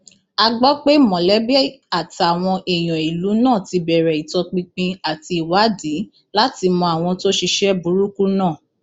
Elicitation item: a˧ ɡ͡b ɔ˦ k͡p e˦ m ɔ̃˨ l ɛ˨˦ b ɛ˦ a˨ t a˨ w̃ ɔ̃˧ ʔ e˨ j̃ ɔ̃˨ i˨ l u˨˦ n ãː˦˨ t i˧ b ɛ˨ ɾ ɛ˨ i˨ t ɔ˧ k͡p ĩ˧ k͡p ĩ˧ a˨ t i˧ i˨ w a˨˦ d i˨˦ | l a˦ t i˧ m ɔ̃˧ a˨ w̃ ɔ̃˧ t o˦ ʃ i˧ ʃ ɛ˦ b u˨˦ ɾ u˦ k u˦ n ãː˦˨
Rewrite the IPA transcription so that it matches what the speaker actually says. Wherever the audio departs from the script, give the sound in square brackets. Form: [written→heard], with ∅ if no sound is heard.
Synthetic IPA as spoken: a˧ ɡ͡b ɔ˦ k͡p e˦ m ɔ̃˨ l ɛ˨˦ b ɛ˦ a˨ t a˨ w̃ ɔ̃˧ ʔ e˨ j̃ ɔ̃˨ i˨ l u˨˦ n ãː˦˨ t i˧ b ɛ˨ ɾ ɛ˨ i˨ t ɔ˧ k͡p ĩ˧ k͡p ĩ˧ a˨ t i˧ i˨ w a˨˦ d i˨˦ | l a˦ t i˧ m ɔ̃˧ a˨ w̃ ɔ̃˧ t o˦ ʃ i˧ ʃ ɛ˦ b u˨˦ ɾ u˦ k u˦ n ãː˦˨